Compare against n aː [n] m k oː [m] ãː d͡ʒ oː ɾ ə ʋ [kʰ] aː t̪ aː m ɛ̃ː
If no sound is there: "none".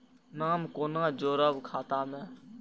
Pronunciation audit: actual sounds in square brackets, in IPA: none, n, kʰ

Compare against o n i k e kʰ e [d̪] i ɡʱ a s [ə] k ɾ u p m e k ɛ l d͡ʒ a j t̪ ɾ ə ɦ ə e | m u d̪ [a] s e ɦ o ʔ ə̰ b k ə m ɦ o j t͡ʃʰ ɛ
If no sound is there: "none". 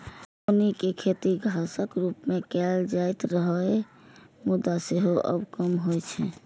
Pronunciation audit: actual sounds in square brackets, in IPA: t̪, ə, a

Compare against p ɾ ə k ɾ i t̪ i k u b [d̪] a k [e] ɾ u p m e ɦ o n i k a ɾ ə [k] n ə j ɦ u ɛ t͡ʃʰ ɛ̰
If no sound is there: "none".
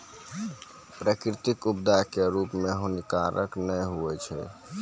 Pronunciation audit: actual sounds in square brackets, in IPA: d̪, e, k

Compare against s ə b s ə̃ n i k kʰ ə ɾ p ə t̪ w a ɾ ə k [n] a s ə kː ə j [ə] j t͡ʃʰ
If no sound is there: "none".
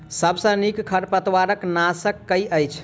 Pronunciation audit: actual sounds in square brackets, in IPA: n, ə

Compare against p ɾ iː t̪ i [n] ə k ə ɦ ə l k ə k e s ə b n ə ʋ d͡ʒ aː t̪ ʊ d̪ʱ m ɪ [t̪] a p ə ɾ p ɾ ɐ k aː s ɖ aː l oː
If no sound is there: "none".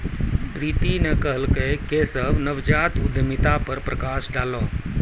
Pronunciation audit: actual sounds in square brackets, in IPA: n, t̪

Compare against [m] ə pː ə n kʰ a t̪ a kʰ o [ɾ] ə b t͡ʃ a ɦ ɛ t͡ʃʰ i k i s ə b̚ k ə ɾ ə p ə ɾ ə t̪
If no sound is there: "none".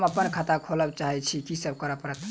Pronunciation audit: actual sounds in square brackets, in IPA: m, l

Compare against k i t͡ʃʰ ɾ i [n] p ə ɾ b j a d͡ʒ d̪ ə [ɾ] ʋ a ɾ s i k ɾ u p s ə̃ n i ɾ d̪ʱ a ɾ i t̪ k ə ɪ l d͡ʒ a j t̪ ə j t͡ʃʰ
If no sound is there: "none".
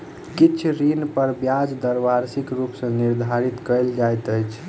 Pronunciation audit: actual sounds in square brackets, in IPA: n, ɾ

